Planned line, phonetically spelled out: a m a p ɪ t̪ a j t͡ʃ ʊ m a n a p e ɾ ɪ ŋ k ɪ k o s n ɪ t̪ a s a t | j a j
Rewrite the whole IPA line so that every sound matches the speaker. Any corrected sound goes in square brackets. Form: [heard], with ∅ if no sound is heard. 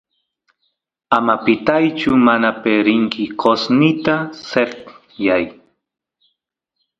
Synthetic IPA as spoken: a m a p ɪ t̪ a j t͡ʃ ʊ m a n a p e ɾ ɪ ŋ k ɪ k o s n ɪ t̪ a s [e] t | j a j